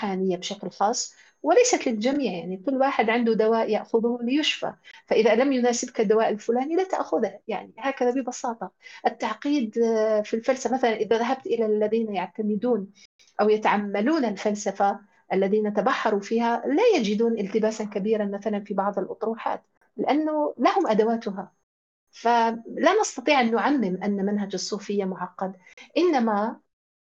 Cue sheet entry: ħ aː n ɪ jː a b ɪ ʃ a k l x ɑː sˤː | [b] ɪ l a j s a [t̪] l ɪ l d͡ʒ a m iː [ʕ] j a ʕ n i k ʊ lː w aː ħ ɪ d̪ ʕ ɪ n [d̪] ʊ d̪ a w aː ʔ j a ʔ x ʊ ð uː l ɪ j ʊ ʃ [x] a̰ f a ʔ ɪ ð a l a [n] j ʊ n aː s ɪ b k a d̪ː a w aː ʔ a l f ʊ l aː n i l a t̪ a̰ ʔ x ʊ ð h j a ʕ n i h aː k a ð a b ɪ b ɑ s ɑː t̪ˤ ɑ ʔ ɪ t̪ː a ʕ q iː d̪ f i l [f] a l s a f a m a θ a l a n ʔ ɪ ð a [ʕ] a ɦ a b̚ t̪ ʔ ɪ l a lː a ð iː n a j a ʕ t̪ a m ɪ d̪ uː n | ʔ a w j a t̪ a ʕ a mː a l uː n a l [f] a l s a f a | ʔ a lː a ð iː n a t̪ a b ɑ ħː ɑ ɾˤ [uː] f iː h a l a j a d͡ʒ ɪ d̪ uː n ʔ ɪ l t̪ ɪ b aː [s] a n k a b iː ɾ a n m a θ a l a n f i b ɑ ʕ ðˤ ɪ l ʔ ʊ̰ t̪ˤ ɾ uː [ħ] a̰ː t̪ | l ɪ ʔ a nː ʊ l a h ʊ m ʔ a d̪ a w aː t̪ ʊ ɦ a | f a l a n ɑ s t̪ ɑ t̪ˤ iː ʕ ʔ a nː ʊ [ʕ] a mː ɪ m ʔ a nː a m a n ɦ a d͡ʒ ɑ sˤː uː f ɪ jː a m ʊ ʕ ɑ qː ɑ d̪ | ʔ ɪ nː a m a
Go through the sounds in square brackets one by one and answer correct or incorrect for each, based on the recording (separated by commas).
incorrect, correct, correct, correct, incorrect, incorrect, correct, incorrect, correct, incorrect, correct, correct, correct